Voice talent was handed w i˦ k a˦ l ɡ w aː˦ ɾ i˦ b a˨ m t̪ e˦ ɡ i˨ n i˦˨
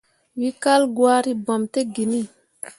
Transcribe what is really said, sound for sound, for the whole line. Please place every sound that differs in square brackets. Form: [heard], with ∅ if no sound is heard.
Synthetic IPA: w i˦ k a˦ l ɡ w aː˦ ɾ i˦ b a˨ m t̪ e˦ ɡ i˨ n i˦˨